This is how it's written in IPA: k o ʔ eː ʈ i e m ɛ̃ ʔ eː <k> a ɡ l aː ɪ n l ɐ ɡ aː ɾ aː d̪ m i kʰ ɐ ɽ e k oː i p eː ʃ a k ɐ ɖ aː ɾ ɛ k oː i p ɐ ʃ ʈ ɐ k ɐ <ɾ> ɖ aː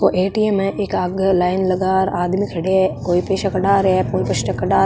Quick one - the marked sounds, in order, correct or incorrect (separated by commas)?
correct, incorrect